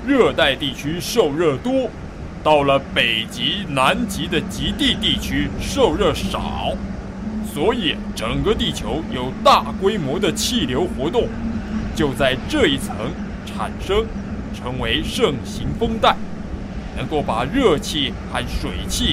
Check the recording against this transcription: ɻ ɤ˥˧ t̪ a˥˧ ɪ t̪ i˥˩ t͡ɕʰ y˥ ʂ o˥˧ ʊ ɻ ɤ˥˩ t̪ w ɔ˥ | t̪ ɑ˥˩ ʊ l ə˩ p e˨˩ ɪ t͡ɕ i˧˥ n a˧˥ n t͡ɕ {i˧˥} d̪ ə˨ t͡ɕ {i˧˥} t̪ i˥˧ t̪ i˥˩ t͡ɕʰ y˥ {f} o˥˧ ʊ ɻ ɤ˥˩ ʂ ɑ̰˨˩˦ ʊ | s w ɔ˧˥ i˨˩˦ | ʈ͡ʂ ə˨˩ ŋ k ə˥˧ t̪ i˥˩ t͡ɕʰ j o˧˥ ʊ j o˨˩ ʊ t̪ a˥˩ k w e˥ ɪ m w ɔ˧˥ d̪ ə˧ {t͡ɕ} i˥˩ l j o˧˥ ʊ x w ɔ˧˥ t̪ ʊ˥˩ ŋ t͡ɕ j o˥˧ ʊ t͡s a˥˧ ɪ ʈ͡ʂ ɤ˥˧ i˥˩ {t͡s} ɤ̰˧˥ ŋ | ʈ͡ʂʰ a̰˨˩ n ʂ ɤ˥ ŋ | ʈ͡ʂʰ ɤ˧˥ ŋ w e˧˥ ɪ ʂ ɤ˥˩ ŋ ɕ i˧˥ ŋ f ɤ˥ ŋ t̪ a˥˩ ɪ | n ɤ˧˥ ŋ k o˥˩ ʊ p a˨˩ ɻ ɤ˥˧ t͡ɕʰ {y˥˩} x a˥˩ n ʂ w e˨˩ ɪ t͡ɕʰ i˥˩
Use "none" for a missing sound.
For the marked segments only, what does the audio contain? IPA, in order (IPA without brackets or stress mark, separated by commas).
i˧˥, i˧˥, ʂ, t͡ɕʰ, t͡sʰ, i˥˩